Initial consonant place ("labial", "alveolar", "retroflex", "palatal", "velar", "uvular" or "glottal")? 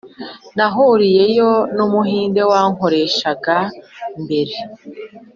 alveolar